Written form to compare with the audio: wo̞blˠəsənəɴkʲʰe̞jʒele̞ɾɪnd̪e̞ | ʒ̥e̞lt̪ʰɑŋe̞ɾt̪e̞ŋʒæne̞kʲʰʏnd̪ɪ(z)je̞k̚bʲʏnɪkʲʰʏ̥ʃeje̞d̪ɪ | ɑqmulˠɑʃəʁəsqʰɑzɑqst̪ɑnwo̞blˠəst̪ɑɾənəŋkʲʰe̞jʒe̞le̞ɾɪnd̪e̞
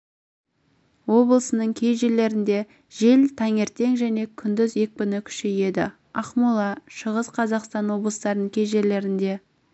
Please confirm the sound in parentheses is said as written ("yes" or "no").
yes